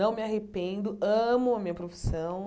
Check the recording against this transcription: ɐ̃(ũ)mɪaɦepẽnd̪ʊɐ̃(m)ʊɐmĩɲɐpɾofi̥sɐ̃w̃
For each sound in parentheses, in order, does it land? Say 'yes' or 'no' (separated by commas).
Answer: no, yes